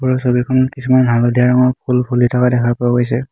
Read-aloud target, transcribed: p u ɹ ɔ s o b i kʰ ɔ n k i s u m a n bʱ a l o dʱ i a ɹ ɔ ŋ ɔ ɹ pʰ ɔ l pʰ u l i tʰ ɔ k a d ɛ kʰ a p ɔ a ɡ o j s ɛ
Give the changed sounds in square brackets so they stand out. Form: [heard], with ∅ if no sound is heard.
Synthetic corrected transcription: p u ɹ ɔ s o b i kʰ ɔ n k i s u m a n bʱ a l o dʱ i a ɹ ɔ ŋ ɔ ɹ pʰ [u] l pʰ u l i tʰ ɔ k a d ɛ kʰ a p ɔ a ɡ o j s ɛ

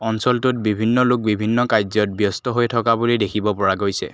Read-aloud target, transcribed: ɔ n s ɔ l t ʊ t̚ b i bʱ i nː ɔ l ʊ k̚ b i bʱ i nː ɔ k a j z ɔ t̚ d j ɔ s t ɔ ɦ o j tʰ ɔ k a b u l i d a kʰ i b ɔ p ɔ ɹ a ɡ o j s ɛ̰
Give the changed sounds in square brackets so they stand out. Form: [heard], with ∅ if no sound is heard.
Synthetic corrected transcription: ɔ n s ɔ l t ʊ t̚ b i bʱ i nː ɔ l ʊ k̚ b i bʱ i nː ɔ k a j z ɔ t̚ [b] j ɔ s t ɔ ɦ o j tʰ ɔ k a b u l i d [e] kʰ i b ɔ p ɔ ɹ a ɡ o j s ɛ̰

